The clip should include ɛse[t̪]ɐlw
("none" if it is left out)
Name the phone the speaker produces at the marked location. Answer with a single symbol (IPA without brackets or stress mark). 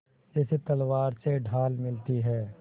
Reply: t̪